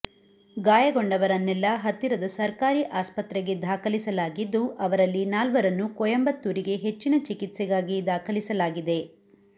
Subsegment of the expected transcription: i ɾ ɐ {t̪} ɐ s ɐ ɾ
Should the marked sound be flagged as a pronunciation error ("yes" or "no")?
yes